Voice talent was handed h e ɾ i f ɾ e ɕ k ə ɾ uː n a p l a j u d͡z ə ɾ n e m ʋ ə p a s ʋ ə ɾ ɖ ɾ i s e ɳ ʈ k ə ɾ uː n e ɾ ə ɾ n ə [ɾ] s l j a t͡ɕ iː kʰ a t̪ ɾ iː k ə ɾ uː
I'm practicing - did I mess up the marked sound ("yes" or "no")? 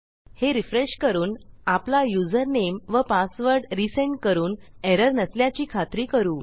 yes